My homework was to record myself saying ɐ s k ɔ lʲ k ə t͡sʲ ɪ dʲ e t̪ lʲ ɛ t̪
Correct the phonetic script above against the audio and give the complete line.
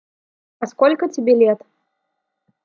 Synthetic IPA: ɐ s k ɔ lʲ k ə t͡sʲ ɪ bʲ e lʲ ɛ t̪